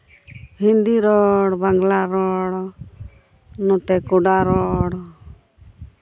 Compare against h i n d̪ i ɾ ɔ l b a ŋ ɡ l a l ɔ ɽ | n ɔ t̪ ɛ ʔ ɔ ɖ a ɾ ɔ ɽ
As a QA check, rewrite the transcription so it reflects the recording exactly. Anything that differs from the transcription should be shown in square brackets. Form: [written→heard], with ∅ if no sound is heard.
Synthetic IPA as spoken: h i n d̪ i ɾ ɔ [l→ɽ] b a ŋ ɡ l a [l→ɾ] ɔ ɽ | n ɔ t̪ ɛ [ʔ→k] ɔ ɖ a ɾ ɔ ɽ